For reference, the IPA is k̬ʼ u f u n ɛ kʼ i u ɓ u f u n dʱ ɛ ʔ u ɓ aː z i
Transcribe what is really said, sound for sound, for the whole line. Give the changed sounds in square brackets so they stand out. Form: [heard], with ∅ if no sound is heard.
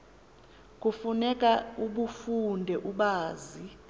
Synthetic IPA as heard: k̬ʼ u f u n ɛ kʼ [a] u ɓ u f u n dʱ ɛ ʔ u ɓ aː z i